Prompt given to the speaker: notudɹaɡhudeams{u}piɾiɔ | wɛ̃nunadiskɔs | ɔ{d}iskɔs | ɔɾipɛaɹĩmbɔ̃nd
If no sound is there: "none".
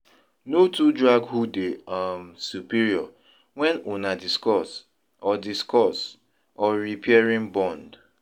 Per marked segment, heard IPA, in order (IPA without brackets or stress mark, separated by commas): u, d